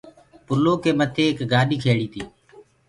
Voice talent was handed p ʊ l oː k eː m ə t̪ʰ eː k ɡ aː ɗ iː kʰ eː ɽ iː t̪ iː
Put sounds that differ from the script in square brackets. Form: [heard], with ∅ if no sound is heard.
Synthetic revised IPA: p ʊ l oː k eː m ə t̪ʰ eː k ɡ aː ɗ iː kʰ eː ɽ iː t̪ iː